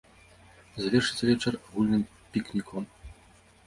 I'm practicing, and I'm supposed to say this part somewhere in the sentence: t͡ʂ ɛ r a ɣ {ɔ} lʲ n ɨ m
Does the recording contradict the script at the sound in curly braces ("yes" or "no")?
yes